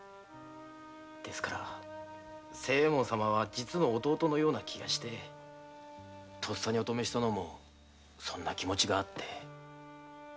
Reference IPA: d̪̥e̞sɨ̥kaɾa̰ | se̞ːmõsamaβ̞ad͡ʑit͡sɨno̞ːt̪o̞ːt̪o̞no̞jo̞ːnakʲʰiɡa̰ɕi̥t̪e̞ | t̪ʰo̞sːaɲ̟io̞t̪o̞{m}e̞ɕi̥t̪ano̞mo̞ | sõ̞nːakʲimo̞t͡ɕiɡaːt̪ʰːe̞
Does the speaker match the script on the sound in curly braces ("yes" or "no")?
yes